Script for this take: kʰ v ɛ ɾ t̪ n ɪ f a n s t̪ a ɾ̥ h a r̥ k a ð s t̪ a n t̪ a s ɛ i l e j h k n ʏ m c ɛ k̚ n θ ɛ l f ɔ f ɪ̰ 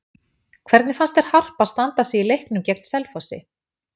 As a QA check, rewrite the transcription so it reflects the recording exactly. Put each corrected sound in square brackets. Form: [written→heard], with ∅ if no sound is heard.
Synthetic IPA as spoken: kʰ v ɛ ɾ t̪ n ɪ f a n s t̪ [a→ɛ] ɾ̥ h a r̥ [k→p] a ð s t̪ a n t̪ a s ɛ i l e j h k n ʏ m c ɛ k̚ n [θ→s] ɛ l f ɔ [f→s] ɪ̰